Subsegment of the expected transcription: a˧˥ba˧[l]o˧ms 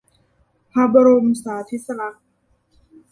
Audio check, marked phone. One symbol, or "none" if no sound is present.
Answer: ɾ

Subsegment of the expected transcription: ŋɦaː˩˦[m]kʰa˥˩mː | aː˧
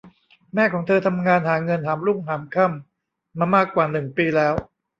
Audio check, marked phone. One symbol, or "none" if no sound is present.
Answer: m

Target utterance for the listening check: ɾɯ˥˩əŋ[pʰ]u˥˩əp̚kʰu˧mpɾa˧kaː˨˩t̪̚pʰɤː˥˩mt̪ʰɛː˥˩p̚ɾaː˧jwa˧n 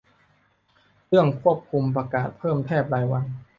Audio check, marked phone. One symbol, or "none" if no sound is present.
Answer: kʰ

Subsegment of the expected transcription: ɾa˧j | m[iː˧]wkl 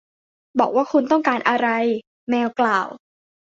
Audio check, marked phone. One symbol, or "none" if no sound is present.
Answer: ɛː˧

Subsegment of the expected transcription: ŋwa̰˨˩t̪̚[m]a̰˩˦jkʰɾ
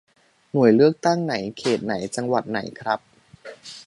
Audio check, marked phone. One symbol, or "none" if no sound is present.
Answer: n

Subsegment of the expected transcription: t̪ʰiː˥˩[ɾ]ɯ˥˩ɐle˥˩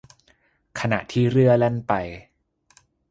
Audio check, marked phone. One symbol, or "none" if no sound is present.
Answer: ɾ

